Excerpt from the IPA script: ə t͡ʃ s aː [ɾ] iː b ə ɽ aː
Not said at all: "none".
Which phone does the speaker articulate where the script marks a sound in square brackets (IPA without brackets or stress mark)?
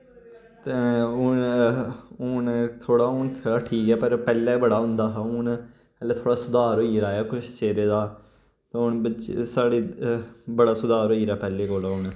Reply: ɽ